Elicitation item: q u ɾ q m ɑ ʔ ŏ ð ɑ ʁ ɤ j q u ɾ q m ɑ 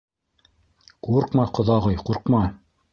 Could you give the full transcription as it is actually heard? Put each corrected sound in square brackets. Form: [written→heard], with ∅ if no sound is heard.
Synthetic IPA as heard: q u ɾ q m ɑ [ʔ→q] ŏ ð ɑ ʁ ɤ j q u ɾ q m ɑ